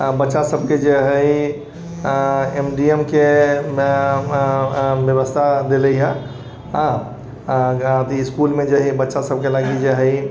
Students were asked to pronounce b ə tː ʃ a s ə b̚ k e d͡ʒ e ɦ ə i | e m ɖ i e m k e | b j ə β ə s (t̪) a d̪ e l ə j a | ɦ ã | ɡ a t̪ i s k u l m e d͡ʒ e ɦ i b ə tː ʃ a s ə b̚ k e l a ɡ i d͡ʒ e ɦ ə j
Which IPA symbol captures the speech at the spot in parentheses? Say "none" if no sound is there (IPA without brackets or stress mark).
t̪ʰ